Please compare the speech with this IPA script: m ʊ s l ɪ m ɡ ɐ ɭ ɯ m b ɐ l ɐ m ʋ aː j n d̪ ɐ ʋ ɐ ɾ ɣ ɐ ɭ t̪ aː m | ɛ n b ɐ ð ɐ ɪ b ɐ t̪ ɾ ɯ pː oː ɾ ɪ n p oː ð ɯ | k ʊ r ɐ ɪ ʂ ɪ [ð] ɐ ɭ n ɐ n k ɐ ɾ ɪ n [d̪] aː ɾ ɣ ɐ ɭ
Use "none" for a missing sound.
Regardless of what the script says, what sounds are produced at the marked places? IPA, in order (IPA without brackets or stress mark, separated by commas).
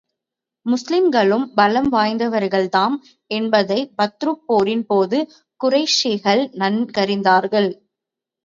ɣ, d̪